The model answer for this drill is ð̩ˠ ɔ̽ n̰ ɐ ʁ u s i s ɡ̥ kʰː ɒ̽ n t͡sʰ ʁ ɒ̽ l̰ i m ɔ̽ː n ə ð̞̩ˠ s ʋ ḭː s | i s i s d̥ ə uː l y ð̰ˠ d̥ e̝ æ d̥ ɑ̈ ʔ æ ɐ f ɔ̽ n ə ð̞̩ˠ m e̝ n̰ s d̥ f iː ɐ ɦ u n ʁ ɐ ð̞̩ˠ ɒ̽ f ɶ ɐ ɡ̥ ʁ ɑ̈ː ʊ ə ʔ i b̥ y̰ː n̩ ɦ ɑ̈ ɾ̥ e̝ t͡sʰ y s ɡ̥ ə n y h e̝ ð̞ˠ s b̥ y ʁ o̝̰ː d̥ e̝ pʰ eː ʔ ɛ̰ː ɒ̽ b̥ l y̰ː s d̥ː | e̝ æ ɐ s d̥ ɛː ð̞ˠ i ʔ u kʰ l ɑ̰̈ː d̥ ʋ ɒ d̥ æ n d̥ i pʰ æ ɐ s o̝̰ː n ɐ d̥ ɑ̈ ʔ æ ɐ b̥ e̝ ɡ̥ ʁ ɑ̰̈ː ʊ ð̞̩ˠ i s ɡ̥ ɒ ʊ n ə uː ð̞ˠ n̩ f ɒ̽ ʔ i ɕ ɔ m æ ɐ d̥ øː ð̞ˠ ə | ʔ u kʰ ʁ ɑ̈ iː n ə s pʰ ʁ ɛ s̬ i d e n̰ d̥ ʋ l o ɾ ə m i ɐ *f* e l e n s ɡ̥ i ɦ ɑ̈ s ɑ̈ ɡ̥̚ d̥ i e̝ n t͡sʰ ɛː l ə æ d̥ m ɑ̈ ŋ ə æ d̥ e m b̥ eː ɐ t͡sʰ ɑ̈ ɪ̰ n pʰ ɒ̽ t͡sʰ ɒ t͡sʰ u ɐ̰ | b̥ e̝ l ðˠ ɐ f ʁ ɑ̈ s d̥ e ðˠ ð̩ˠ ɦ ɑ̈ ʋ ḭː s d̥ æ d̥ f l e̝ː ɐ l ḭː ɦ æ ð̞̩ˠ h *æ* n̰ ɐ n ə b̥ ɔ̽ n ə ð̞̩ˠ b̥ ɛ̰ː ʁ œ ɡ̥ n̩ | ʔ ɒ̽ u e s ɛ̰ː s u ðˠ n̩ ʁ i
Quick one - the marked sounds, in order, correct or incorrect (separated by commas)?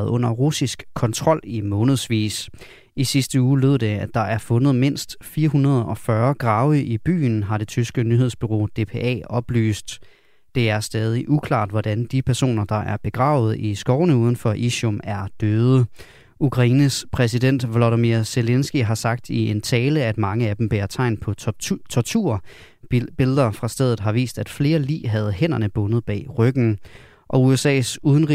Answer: incorrect, incorrect